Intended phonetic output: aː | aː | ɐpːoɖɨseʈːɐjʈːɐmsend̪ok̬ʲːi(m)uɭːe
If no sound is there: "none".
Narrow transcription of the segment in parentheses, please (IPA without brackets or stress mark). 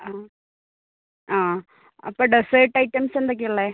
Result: none